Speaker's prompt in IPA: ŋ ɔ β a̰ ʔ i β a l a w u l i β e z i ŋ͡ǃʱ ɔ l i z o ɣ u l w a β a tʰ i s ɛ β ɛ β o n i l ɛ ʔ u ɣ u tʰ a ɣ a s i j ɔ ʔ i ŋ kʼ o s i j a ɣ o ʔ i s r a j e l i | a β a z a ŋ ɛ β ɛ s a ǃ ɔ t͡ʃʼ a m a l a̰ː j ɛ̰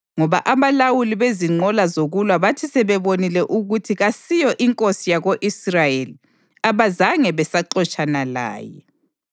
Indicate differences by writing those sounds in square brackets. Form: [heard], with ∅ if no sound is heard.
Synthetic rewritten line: ŋ ɔ β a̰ ʔ [a] β a l a w u l i β e z i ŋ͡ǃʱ ɔ l [a] z o ɣ u l w a β a tʰ i s ɛ β ɛ β o n i l ɛ ʔ u ɣ u tʰ [i] ɣ a s i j ɔ ʔ i ŋ kʼ o s i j a ɣ o ʔ i s r a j e l i | a β a z a ŋ ɛ β ɛ s a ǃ ɔ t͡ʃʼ a [n] a l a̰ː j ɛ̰